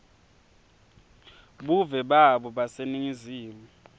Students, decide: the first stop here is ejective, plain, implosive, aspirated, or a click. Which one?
implosive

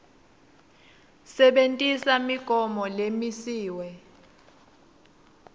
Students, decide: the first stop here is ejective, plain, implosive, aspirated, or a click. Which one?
implosive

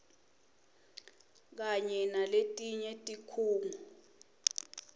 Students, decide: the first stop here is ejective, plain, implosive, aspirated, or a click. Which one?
plain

